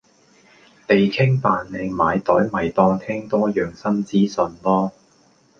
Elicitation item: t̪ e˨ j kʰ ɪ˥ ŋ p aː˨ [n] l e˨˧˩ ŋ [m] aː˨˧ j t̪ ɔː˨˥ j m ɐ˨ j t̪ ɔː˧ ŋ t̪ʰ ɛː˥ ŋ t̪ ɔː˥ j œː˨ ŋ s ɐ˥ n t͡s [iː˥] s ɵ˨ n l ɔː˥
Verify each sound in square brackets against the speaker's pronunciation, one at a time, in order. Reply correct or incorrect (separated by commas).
correct, correct, correct